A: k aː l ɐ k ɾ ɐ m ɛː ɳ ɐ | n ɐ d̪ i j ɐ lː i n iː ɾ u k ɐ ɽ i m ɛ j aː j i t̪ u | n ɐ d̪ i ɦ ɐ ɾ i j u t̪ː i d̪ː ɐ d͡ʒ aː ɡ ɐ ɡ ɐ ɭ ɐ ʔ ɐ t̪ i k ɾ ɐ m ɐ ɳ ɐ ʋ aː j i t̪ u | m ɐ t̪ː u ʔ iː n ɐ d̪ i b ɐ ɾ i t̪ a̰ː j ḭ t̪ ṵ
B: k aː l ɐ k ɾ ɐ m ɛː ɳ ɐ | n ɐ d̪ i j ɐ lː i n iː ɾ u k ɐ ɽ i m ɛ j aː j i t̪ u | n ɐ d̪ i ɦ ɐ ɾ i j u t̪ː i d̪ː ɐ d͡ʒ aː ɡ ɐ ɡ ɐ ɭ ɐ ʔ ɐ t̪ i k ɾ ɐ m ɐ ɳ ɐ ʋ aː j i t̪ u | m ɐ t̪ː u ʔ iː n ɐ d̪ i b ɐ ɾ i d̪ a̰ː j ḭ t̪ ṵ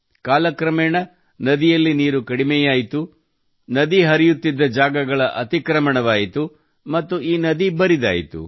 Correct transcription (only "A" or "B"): B